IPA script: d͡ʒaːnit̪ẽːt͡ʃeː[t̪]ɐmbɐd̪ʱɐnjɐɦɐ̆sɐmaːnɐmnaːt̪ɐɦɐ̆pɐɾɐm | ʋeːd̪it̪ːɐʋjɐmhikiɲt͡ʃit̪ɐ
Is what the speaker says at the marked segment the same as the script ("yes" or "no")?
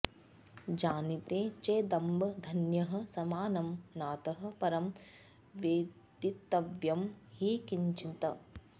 no